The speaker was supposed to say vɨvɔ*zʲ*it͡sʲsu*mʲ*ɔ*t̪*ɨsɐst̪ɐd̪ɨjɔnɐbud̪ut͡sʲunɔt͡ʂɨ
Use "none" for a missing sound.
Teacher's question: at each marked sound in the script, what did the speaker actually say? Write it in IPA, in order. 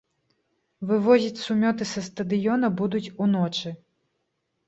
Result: zʲ, mʲ, t̪

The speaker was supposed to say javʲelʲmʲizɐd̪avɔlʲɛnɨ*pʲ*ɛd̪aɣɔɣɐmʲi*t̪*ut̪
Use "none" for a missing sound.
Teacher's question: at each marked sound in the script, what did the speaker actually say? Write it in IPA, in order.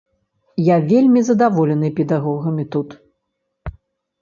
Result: pʲ, t̪

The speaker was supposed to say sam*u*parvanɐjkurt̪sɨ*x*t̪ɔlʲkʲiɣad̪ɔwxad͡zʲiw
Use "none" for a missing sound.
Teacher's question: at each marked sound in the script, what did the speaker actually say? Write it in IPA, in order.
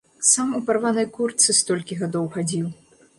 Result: u, s

